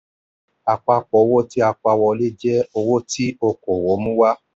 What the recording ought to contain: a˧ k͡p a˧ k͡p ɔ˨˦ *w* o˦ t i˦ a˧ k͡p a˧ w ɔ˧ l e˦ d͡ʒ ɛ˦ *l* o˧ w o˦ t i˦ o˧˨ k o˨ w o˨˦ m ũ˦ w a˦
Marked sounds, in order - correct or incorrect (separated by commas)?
correct, incorrect